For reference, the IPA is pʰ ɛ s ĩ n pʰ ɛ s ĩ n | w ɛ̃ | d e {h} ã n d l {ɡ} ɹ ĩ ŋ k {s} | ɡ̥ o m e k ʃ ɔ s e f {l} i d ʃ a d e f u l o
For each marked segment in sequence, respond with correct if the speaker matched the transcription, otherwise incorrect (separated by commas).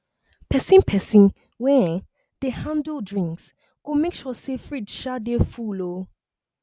correct, incorrect, correct, incorrect